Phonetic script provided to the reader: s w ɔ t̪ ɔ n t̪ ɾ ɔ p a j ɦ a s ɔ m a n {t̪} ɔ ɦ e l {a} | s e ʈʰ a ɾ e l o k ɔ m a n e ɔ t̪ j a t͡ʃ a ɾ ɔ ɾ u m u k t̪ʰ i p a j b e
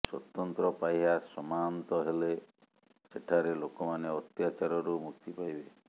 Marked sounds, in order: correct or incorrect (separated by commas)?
correct, incorrect